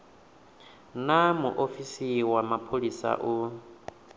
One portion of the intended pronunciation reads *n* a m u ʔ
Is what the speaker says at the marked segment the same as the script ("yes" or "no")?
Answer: yes